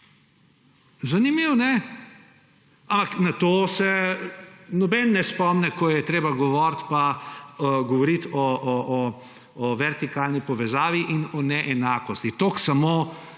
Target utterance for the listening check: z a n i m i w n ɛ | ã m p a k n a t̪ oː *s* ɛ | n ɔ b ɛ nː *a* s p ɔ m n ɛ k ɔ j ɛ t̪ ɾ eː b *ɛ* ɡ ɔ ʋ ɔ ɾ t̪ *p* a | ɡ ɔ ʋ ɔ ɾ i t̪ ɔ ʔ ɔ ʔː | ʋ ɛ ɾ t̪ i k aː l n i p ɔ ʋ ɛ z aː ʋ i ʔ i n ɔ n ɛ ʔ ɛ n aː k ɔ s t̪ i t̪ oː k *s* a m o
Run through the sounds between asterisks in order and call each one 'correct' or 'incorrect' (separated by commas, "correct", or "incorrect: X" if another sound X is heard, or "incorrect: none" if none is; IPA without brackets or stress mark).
correct, incorrect: ɛ, incorrect: a, correct, correct